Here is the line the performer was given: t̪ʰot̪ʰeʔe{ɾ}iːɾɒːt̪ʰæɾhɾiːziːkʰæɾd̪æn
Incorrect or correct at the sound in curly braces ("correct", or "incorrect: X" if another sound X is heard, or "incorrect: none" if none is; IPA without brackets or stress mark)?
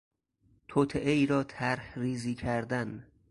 incorrect: none